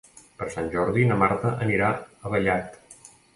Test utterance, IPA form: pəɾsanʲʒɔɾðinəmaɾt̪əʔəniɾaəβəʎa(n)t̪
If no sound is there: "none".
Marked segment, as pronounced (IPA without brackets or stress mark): none